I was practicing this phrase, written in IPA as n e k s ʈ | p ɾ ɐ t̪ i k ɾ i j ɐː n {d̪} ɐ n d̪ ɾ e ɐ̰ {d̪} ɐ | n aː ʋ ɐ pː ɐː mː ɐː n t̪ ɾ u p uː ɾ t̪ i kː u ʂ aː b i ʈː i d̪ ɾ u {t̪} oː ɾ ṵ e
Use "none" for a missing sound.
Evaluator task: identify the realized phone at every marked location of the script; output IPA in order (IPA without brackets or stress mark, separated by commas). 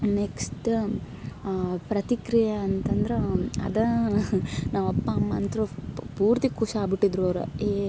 t̪, d̪, none